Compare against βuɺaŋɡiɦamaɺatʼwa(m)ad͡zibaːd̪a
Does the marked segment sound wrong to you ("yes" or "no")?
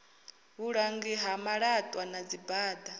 yes